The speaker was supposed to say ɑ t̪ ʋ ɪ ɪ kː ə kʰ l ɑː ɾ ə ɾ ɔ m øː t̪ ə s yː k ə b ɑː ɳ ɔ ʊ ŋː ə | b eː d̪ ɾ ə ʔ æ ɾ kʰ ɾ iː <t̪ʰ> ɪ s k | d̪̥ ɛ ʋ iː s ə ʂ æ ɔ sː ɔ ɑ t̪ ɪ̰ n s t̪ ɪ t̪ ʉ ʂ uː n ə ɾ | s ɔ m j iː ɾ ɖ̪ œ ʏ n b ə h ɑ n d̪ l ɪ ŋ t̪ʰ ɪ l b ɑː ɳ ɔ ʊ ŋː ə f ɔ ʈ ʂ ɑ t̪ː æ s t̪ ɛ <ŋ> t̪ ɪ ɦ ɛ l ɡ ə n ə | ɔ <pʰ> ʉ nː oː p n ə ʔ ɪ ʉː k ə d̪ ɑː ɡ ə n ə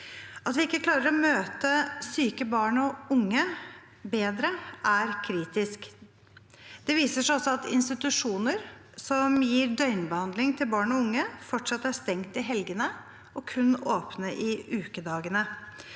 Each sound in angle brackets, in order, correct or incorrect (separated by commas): incorrect, correct, incorrect